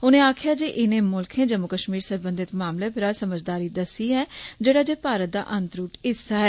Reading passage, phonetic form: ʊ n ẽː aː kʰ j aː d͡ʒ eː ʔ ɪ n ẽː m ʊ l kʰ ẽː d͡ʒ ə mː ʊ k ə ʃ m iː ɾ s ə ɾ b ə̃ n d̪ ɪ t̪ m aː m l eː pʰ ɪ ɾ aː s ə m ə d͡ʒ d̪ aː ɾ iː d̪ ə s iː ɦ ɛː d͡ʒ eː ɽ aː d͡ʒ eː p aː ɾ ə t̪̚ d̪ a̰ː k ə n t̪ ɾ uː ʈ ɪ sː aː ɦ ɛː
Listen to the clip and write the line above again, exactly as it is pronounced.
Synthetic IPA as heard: ʊ n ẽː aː kʰ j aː d͡ʒ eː ʔ ɪ n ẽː m ʊ l kʰ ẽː d͡ʒ ə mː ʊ k ə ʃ m iː ɾ s ə ɾ b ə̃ n d̪ ɪ t̪ m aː m l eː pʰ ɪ ɾ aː s ə m ə d͡ʒ d̪ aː ɾ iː d̪ ə s iː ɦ ɛː d͡ʒ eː ɽ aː d͡ʒ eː p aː ɾ ə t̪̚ d̪ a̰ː ʔ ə n t̪ ɾ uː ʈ ɪ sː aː ɦ ɛː